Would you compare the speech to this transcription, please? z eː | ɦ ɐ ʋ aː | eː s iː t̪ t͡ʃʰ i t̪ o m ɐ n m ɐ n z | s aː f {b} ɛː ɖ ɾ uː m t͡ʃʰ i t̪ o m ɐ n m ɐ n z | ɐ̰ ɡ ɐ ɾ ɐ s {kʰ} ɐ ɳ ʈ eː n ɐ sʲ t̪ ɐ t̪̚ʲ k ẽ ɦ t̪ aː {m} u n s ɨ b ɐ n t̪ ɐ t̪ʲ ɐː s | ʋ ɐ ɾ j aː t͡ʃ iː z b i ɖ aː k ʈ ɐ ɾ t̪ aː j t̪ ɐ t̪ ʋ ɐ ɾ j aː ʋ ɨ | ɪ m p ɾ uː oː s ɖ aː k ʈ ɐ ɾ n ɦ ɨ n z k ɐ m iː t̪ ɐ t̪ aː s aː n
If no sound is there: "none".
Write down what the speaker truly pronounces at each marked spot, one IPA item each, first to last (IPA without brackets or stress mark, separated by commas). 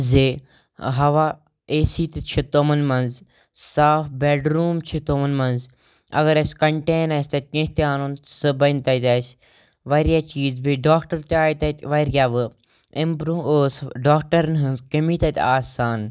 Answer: b, k, n